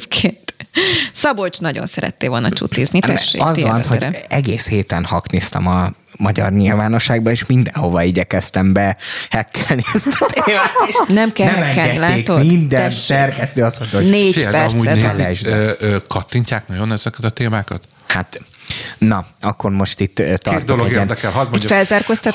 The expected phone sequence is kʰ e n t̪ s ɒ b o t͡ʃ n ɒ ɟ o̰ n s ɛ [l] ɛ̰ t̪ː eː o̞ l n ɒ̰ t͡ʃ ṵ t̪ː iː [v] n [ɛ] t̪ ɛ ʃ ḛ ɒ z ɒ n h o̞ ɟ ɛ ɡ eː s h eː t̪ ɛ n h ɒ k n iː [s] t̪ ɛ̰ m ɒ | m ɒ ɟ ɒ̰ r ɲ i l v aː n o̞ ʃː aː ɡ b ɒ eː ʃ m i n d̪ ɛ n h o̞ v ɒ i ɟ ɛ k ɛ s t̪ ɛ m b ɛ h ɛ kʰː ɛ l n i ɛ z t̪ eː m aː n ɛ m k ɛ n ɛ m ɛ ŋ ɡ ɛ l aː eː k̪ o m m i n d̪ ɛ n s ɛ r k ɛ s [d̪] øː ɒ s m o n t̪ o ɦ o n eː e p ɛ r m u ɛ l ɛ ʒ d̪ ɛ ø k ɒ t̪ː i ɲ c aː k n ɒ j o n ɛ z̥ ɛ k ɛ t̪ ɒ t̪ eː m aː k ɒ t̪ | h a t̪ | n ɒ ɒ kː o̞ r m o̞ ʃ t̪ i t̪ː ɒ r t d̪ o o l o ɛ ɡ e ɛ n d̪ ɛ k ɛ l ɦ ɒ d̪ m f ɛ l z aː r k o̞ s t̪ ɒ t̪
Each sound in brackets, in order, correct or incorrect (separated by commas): incorrect, incorrect, incorrect, correct, incorrect